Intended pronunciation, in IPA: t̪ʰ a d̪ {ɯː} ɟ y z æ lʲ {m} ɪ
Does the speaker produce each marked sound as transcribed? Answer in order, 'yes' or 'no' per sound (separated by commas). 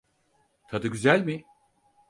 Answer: no, yes